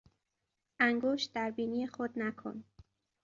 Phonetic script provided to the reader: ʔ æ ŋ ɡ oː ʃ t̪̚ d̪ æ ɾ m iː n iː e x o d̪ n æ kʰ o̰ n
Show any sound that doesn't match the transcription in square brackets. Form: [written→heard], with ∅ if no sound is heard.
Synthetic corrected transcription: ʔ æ ŋ ɡ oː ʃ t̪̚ d̪ æ ɾ [m→b] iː n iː e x o d̪ n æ kʰ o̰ n